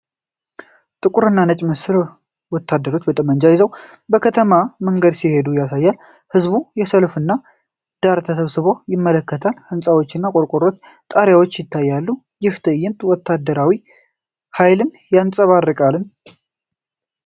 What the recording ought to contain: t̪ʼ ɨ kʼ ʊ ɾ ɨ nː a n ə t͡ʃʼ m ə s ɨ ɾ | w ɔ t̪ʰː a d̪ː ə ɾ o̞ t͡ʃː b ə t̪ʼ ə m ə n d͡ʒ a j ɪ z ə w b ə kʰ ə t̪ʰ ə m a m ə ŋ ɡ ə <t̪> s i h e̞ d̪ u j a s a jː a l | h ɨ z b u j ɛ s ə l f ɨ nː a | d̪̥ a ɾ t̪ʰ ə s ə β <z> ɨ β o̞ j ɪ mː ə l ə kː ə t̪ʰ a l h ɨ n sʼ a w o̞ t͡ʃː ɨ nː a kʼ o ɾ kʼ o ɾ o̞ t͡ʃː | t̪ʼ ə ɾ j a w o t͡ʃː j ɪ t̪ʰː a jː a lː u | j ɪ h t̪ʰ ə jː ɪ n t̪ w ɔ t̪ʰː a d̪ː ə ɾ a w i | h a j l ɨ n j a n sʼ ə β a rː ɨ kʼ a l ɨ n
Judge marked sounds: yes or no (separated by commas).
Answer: no, no